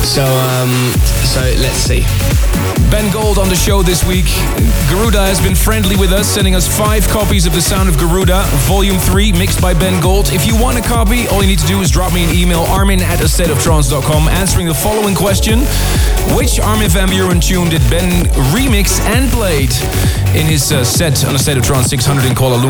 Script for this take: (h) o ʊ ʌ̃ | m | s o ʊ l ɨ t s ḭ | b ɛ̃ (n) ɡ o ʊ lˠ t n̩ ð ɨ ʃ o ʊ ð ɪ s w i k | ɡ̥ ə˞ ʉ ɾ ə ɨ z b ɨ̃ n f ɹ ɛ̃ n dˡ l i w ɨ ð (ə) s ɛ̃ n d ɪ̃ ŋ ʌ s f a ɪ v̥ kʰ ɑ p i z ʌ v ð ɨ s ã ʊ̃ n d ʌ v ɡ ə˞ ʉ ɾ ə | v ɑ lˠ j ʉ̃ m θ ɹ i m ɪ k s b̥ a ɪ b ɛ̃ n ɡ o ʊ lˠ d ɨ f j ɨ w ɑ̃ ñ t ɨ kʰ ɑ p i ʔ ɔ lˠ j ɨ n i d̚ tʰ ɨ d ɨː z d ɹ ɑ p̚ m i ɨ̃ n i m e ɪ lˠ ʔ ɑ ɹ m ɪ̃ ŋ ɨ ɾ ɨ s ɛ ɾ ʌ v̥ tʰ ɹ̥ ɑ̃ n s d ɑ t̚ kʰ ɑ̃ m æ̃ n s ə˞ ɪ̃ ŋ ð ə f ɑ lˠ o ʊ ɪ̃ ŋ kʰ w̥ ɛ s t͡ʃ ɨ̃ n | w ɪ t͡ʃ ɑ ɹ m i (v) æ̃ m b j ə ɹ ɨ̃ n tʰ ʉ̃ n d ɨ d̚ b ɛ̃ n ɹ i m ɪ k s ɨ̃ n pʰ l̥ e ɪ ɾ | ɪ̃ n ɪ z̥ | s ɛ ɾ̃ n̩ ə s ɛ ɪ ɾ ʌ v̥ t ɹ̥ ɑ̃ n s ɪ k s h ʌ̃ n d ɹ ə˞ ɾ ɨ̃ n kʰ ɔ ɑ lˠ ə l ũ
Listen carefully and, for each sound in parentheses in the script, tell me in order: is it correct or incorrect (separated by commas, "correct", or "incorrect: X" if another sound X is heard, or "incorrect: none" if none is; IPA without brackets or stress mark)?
incorrect: s, correct, incorrect: ʌ, correct